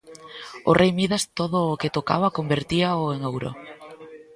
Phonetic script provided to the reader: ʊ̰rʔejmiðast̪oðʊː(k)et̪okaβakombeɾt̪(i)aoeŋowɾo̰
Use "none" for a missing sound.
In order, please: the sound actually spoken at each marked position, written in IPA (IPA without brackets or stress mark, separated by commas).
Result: k, i